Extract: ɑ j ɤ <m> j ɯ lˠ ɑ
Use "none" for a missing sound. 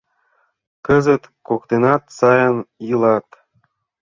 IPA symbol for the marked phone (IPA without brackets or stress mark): n